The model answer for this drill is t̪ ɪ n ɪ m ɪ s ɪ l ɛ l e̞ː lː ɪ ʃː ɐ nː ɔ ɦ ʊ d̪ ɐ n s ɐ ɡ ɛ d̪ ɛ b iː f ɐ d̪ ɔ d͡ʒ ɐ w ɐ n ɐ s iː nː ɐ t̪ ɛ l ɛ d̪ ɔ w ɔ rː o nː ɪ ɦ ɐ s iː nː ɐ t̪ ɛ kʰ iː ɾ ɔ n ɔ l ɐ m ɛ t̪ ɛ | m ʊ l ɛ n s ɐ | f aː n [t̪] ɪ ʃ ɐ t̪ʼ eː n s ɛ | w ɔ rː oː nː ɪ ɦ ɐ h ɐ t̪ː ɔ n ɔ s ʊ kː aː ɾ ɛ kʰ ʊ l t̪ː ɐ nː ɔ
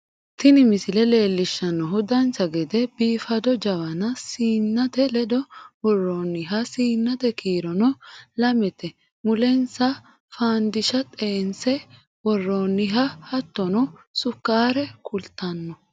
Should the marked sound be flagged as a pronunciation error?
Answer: yes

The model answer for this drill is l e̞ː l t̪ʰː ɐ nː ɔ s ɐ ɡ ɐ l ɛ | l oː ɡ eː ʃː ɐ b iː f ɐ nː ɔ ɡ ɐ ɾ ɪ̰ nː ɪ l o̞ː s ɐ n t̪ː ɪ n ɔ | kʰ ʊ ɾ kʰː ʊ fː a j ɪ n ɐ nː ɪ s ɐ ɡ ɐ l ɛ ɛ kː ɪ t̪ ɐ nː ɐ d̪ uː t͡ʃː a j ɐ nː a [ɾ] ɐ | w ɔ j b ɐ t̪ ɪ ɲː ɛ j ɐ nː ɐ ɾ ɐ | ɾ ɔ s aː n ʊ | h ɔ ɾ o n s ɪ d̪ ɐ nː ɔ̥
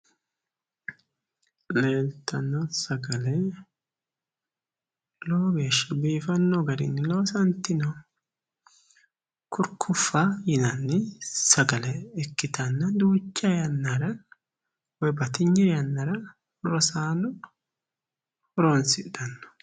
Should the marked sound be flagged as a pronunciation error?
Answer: no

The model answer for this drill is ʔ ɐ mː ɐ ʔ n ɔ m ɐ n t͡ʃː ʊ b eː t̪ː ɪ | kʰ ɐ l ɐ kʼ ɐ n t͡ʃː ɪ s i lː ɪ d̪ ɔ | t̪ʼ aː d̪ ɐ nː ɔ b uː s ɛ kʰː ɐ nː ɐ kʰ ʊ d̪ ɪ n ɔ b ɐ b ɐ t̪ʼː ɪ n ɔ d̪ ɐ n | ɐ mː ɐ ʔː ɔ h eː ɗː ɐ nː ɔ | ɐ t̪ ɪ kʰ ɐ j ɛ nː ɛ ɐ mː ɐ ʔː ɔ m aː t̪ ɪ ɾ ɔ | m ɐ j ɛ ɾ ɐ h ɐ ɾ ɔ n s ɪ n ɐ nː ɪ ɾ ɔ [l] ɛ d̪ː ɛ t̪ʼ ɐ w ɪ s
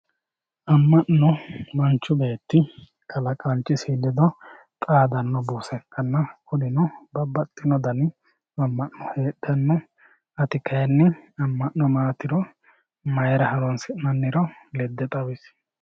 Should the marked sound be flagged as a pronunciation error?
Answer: no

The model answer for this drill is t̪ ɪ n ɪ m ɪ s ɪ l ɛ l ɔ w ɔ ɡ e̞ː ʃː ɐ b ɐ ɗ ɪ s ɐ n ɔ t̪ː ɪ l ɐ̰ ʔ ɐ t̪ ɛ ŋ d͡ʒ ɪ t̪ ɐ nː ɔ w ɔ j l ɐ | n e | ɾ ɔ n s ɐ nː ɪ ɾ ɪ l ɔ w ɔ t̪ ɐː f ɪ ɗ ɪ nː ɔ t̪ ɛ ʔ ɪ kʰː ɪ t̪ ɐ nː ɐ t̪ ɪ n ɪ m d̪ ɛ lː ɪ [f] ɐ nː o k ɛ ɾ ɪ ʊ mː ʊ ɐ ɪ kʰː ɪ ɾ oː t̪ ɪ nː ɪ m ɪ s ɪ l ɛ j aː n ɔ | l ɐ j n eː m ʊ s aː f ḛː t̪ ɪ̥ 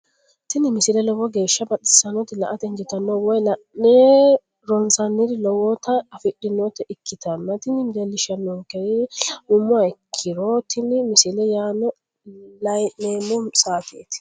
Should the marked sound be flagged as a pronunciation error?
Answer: yes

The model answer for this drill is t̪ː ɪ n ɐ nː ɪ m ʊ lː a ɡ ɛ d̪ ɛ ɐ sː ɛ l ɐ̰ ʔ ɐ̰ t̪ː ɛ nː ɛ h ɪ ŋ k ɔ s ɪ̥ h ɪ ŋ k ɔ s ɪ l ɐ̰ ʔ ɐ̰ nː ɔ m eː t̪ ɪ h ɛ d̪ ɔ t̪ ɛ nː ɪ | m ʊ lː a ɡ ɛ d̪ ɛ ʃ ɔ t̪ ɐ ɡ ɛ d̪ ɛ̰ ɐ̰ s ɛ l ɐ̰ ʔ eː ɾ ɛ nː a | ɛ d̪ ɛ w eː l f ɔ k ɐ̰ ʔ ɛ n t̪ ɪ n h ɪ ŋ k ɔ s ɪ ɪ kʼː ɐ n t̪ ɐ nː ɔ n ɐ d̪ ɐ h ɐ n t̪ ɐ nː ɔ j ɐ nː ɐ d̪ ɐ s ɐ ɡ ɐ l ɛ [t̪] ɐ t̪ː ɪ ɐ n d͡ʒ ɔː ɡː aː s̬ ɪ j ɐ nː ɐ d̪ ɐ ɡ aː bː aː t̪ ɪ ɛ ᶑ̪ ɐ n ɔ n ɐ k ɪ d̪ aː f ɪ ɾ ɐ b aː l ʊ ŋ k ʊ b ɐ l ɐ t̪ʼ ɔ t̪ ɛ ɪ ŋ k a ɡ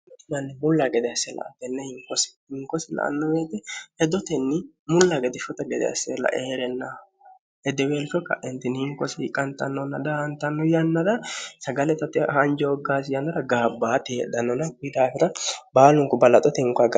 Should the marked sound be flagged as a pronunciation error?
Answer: no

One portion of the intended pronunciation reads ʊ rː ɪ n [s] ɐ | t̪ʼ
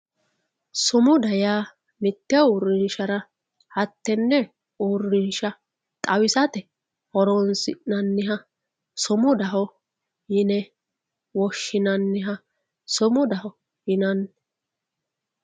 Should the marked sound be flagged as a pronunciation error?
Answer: yes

